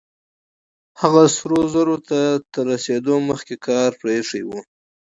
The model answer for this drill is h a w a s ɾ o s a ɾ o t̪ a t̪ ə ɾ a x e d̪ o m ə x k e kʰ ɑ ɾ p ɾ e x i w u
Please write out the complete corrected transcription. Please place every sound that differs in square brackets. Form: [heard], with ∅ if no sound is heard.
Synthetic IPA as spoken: h a [ɣ] a s ɾ o [z] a ɾ o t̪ a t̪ ə ɾ a [s] e d̪ o m ə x k e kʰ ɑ ɾ p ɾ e [ʂ] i w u